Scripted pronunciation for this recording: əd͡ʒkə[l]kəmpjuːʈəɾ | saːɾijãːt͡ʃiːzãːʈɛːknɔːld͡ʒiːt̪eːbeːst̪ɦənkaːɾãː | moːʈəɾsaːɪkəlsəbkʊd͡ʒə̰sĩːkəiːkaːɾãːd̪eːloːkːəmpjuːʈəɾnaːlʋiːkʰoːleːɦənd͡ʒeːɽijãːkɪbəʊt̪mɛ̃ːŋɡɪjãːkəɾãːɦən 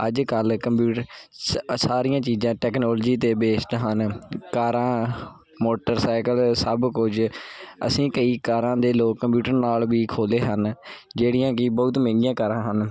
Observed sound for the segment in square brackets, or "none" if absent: l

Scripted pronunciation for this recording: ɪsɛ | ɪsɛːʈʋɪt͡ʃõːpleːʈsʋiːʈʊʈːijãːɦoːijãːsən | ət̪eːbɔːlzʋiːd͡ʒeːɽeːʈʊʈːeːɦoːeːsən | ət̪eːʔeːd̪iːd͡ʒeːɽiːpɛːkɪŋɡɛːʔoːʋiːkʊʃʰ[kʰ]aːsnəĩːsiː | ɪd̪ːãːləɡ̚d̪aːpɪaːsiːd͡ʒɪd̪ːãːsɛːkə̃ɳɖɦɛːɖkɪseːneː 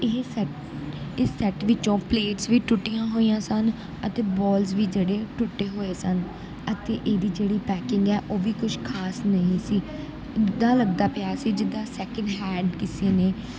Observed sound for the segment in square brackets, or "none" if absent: kʰ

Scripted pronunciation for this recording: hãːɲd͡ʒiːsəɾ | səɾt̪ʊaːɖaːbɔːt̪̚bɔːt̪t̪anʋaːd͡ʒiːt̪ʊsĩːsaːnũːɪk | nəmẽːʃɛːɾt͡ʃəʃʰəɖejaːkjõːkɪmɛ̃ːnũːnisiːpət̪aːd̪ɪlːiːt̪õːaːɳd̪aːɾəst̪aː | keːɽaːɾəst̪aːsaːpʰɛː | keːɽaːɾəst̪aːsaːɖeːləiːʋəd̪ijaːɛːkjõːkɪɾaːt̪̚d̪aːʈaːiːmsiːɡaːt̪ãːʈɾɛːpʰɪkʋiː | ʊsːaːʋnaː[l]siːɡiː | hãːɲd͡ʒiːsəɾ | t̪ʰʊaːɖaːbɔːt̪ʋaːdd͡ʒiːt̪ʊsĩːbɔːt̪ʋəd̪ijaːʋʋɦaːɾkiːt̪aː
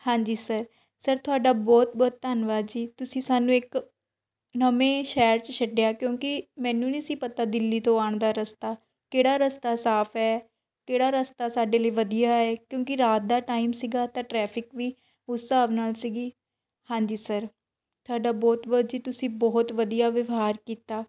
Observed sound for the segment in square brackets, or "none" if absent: l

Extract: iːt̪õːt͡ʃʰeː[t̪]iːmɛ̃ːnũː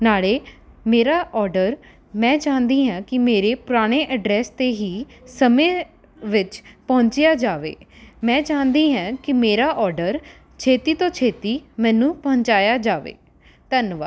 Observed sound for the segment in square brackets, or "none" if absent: t̪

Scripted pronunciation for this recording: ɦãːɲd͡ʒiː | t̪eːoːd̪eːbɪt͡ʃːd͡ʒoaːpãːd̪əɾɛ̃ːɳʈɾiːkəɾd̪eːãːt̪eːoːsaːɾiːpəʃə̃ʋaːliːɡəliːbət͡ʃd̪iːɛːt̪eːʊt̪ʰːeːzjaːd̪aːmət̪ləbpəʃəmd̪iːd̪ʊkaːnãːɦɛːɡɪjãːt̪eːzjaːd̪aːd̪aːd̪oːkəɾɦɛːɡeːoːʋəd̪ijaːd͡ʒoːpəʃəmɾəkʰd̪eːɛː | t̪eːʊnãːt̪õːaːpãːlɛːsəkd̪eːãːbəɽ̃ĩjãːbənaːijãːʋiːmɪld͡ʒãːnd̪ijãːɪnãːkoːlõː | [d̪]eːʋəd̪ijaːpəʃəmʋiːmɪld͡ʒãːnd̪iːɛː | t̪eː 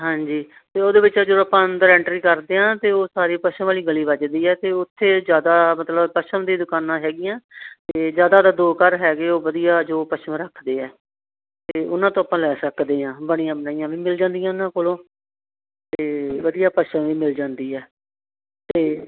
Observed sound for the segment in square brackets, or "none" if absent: t̪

